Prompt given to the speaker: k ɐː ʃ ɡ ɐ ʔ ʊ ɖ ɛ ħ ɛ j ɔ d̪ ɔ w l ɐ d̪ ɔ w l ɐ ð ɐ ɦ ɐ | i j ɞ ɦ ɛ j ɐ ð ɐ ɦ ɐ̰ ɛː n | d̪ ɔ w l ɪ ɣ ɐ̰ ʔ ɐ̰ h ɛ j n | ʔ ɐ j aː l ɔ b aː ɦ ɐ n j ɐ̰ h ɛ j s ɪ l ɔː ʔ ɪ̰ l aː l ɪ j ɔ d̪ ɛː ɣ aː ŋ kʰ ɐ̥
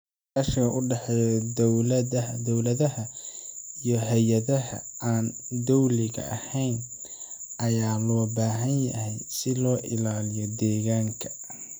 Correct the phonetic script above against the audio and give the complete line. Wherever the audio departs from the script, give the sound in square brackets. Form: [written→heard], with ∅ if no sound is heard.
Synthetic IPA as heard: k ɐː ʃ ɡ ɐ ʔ ʊ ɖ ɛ ħ ɛ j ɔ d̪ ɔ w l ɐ d̪ ɔ w l ɐ ð ɐ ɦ ɐ | i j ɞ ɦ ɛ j ɐ ð ɐ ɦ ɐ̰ [ɛː→aː] n | d̪ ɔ w l ɪ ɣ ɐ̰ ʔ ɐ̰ h ɛ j n | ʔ ɐ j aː l [ɔ→ɔː] b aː ɦ ɐ n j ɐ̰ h ɛ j s ɪ l ɔː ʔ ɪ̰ l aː l ɪ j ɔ d̪ ɛː ɣ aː ŋ kʰ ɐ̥